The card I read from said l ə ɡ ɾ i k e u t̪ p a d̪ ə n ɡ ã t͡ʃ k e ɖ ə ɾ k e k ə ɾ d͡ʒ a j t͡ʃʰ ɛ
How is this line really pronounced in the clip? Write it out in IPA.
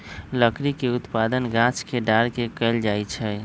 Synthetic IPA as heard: l ə k ɾ i k e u t̪ p a d̪ ə n ɡ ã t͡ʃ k e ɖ a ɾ k e k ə l d͡ʒ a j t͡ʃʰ ɛ